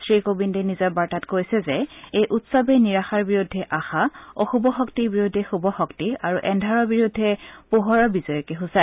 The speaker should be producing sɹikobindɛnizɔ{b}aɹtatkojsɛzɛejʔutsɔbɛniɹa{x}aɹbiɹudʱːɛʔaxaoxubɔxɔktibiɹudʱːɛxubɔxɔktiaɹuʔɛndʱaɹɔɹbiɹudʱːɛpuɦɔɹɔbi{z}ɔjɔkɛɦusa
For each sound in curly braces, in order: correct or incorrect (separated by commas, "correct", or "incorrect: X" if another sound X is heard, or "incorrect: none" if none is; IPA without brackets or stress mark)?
correct, correct, correct